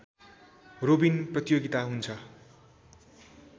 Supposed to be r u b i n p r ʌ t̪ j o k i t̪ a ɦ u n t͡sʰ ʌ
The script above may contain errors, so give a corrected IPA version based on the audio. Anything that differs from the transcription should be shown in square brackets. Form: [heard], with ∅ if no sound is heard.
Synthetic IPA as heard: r [o] b i n p r ʌ t̪ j o [ɡ] i t̪ a ɦ u n t͡sʰ ʌ